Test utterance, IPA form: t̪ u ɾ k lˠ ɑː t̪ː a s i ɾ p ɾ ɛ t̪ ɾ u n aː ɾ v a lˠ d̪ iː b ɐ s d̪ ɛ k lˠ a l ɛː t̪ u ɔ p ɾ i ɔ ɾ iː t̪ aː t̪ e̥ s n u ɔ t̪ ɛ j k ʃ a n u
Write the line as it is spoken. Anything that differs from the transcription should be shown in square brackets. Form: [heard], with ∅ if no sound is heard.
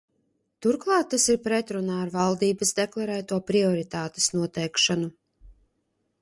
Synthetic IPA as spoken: t̪ u ɾ k lˠ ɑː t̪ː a s i ɾ p ɾ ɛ t̪ ɾ u n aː ɾ v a lˠ d̪ iː b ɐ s d̪ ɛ k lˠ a [ɾ] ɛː t̪ u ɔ p ɾ i ɔ ɾ [i] t̪ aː t̪ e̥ s n u ɔ t̪ ɛ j k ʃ a n u